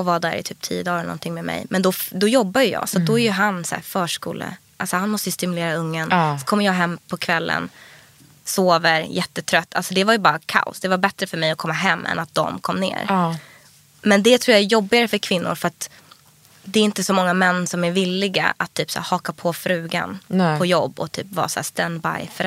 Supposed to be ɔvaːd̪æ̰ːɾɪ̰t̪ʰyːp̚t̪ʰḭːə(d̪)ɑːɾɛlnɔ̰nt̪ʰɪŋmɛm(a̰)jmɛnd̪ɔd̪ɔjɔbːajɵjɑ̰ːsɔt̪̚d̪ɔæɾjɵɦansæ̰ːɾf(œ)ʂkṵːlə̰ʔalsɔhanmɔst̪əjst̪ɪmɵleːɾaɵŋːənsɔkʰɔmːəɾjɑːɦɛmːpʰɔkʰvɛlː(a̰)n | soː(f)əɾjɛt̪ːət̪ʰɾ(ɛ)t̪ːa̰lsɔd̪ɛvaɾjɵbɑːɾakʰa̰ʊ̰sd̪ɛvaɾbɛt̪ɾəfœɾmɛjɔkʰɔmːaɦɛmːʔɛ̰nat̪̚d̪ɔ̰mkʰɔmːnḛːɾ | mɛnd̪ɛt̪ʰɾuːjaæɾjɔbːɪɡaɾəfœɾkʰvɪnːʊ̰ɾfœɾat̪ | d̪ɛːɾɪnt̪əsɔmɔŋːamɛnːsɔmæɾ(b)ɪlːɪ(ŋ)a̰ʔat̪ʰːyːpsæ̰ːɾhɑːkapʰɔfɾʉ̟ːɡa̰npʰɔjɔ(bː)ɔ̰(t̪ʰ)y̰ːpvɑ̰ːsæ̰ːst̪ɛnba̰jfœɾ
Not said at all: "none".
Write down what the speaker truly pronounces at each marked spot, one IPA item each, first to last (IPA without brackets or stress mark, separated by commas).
d̪, ɛ̰, œː, ə̰, v, œ, v, ɡ, bː, t̪ʰ